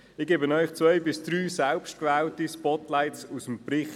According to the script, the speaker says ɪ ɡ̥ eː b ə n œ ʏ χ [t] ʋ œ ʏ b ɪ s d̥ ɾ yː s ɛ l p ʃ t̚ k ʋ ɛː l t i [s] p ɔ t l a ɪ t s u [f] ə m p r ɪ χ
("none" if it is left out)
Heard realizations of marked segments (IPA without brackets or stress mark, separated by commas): t͡s, s, s